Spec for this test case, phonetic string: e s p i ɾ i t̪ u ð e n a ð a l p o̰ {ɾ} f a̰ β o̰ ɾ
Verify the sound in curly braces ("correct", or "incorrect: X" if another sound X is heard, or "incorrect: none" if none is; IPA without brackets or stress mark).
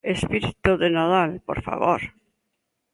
correct